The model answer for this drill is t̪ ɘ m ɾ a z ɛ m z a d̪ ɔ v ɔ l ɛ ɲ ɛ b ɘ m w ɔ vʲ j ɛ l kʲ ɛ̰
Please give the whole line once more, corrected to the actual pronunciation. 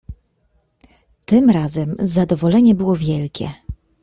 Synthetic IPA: t̪ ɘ m ɾ a z ɛ m z a d̪ ɔ v ɔ l ɛ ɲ ɛ b ɘ w ɔ vʲ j ɛ l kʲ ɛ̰